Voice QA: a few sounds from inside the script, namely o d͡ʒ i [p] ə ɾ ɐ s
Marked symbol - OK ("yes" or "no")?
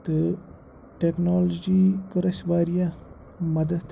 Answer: no